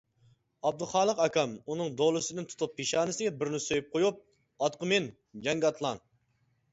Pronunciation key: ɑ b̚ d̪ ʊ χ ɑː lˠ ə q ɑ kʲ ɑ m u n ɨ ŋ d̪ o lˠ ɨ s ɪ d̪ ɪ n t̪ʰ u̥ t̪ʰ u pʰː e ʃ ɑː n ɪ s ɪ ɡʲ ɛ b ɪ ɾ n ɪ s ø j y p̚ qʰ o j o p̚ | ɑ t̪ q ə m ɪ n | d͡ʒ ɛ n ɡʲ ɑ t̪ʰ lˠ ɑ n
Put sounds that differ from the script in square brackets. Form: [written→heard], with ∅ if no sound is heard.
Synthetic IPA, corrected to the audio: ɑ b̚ d̪ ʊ χ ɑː lˠ ə q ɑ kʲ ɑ m u n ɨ ŋ d̪ o lˠ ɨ s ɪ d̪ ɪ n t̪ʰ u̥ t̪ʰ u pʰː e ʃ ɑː n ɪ s ɪ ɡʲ ɛ b ɪ ɾ n ɪ s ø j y p̚ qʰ o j [o→u] p̚ | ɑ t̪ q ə m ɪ n | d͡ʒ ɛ [n→ŋ] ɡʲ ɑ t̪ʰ lˠ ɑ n